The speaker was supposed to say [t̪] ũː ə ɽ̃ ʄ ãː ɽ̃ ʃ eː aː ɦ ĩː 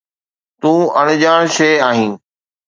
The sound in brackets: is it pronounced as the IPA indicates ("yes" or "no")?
yes